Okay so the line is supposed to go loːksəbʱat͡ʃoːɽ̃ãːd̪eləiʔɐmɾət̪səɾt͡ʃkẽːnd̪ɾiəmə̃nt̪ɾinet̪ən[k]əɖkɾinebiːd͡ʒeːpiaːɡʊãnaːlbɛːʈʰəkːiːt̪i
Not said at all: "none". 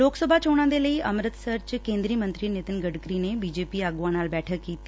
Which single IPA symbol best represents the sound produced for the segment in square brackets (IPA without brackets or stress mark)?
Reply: ɡ